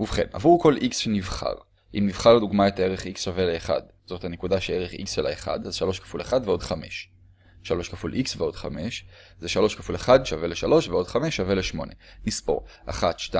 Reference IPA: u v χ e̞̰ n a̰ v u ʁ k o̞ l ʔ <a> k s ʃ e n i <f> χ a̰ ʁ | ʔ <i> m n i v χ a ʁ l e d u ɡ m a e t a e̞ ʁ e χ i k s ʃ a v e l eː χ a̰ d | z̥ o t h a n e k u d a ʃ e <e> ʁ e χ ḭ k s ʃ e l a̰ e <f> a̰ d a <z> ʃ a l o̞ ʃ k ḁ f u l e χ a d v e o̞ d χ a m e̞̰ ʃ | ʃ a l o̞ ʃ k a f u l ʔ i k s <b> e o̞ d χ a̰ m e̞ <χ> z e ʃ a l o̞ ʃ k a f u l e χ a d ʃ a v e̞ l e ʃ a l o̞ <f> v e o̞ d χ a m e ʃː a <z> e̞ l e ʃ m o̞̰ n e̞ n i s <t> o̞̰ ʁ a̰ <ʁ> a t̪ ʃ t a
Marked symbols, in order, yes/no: no, no, yes, yes, no, yes, no, no, no, no, no, no

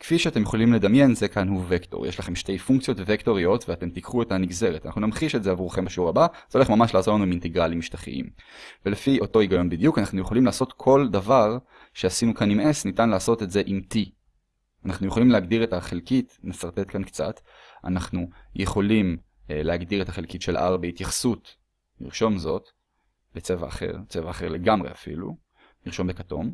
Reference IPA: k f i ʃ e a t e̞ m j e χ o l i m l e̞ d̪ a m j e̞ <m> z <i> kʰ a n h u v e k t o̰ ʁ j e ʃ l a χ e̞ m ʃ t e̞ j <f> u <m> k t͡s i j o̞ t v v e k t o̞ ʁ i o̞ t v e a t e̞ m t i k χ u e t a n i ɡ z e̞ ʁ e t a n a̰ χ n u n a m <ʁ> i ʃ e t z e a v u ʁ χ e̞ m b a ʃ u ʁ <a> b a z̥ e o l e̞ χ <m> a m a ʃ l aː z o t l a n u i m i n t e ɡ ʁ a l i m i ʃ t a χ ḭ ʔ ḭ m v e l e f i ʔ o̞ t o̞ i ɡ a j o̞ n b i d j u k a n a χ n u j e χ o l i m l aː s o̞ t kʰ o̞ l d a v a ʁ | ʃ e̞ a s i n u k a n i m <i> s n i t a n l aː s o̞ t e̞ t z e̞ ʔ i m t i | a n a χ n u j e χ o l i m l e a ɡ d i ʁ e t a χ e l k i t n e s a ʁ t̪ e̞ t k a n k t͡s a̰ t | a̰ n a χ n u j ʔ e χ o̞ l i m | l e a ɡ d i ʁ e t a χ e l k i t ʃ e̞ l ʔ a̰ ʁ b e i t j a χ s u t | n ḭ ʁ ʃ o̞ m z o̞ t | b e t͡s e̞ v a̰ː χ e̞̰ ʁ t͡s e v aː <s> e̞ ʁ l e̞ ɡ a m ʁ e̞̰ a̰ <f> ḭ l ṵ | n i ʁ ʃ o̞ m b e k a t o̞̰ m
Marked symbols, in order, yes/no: no, no, yes, no, no, yes, yes, no, no, yes

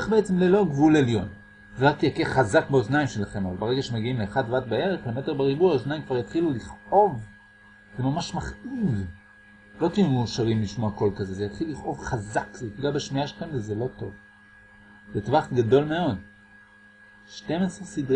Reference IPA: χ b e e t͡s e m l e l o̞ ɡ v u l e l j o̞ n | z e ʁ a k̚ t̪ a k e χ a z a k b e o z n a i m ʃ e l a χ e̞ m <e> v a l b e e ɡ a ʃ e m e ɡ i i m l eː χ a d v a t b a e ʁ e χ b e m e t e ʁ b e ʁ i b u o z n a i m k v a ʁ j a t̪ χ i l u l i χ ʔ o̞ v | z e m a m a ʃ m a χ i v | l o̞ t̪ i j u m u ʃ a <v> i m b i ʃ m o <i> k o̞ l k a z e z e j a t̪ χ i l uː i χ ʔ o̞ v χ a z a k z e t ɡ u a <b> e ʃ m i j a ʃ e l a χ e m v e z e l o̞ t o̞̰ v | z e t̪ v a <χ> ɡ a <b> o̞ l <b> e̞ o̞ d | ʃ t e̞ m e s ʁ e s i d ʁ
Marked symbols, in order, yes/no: no, no, no, yes, yes, no, no

